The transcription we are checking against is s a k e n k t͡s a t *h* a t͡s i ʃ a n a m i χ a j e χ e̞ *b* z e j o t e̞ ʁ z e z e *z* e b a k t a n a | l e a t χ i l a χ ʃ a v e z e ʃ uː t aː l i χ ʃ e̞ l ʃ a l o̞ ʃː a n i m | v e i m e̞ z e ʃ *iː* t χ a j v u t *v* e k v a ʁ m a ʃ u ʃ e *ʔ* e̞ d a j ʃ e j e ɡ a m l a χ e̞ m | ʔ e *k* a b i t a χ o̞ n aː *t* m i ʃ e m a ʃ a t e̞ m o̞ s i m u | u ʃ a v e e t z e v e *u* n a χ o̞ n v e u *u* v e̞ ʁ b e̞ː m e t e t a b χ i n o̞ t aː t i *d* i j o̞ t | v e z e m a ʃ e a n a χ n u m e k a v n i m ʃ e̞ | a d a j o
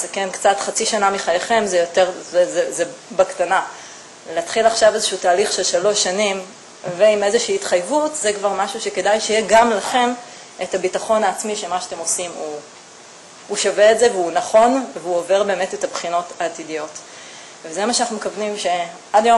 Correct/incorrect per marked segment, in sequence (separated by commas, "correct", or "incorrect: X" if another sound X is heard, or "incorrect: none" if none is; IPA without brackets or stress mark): incorrect: χ, incorrect: m, correct, correct, incorrect: z, incorrect: k, incorrect: t, incorrect: t͡s, correct, incorrect: o, correct